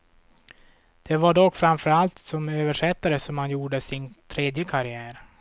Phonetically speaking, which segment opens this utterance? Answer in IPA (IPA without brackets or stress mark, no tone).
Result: d̪̥